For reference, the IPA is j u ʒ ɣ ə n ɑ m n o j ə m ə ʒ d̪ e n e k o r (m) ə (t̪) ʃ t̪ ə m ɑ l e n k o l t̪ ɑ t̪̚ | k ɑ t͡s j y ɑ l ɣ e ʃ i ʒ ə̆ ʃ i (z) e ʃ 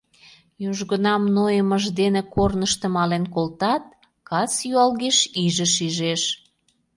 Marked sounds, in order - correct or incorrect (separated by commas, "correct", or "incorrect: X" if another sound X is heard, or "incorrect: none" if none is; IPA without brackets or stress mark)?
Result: incorrect: n, incorrect: none, incorrect: ʒ